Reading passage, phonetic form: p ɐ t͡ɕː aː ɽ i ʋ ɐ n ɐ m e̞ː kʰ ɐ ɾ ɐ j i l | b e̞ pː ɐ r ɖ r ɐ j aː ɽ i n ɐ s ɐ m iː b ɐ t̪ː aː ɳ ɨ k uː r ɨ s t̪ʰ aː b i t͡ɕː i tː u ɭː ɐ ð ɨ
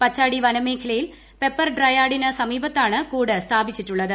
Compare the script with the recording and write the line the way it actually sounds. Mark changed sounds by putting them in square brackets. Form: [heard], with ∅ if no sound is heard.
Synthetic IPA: p ɐ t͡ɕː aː ɽ i ʋ ɐ n ɐ m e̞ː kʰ ɐ [l] ɐ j i l | [p] e̞ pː ɐ r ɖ r ɐ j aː ɽ i n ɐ s ɐ m iː b ɐ t̪ː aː ɳ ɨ k uː [ɽ] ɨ s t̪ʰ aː b i t͡ɕː i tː u ɭː ɐ ð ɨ